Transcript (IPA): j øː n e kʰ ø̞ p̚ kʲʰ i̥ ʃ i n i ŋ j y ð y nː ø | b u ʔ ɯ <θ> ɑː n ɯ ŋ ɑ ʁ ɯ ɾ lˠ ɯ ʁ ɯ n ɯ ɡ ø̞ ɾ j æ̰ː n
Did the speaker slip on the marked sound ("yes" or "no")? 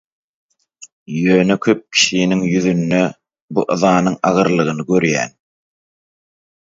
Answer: yes